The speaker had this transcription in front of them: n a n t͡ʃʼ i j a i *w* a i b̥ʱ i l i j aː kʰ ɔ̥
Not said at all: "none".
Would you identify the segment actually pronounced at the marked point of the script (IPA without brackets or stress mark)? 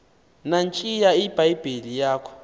b